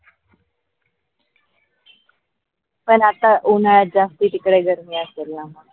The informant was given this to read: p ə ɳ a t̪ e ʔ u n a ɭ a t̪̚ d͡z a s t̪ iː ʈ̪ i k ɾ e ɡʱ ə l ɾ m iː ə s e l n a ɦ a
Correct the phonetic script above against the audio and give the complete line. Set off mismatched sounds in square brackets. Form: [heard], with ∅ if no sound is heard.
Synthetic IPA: p ə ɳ a t̪ [a] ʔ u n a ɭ a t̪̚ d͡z a s t̪ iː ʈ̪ i k [ɽ] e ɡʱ ə [∅] ɾ m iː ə s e l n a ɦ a